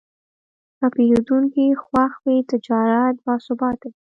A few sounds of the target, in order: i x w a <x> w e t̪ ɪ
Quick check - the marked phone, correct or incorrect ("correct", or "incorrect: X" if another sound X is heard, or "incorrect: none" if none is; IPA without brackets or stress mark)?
correct